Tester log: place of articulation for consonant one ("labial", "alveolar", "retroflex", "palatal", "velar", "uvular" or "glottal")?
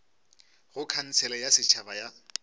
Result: velar